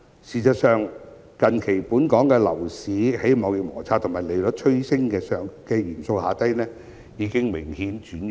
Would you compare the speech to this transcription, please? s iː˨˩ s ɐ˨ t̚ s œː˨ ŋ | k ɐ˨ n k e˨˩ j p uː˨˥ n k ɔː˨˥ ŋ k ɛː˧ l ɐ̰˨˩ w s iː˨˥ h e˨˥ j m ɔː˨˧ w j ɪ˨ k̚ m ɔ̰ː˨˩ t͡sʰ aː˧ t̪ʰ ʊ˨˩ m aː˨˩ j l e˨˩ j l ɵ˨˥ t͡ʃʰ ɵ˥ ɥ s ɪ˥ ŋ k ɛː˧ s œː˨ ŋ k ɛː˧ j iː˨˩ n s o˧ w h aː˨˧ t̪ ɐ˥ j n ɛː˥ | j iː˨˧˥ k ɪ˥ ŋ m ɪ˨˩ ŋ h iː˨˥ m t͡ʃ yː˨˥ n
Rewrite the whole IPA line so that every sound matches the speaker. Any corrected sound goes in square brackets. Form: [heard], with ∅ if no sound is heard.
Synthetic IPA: s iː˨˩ s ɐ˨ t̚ s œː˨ ŋ | k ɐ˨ n [kʰ] e˨˩ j p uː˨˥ n k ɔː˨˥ ŋ k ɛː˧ l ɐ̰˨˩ w s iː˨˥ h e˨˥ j m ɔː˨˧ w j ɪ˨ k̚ m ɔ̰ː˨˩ t͡sʰ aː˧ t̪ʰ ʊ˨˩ m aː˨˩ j l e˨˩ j l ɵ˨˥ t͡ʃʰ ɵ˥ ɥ s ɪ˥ ŋ k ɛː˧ s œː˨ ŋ k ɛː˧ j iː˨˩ n s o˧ w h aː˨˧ t̪ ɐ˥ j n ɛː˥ | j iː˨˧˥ k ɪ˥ ŋ m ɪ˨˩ ŋ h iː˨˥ [n] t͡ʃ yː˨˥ n

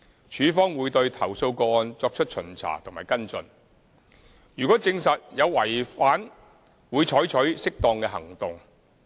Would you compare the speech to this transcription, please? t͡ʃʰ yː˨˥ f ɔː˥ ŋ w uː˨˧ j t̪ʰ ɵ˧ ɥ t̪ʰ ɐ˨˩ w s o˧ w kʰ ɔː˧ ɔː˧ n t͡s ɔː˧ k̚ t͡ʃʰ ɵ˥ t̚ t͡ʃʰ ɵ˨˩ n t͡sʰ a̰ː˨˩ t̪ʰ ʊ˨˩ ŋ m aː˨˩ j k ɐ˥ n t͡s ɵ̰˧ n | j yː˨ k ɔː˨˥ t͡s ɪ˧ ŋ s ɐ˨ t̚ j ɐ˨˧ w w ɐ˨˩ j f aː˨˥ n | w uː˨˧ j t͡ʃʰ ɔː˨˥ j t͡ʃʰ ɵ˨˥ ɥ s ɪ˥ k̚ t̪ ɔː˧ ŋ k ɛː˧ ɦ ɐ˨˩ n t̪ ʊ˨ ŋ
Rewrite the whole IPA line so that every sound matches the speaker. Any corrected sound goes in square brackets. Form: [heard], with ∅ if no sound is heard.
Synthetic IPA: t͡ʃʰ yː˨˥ f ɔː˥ ŋ w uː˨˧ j [t̪] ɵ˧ ɥ t̪ʰ ɐ˨˩ w s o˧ w [k] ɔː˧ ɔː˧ n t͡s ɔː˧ k̚ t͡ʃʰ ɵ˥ t̚ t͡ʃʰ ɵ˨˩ n t͡sʰ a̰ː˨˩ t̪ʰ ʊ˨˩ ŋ m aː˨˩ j k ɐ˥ n t͡s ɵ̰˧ n | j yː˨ k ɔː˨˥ t͡s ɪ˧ ŋ s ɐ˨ t̚ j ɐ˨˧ w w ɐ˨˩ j f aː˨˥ n | w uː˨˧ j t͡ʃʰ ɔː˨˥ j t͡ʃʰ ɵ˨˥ ɥ s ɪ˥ k̚ t̪ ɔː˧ ŋ k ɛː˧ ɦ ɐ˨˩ [ŋ] t̪ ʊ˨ ŋ

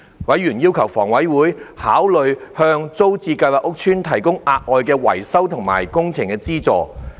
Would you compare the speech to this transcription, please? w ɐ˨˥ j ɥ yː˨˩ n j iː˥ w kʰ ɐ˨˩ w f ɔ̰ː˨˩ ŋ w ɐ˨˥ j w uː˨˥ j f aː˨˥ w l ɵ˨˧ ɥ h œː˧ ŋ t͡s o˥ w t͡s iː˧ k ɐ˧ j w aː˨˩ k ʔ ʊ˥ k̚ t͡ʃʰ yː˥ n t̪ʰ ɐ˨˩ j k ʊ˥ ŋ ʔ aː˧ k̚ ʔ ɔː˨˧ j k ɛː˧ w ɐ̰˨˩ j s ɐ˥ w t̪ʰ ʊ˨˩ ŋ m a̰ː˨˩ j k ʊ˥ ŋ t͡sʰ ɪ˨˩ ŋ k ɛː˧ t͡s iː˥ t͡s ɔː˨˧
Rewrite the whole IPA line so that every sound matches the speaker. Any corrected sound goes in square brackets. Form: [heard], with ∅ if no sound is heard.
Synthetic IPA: w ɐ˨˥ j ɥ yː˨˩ n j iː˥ w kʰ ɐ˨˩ w f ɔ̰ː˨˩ ŋ w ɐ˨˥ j w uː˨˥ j [h] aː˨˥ w l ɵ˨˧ ɥ h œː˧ ŋ t͡s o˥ w t͡s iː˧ k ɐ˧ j w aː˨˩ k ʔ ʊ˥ k̚ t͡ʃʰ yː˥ n t̪ʰ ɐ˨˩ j k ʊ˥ ŋ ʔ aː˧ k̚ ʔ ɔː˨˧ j k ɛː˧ w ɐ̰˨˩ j s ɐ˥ w t̪ʰ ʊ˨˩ ŋ m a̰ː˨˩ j k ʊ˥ ŋ t͡sʰ ɪ˨˩ ŋ k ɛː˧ t͡s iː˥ t͡s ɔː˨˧

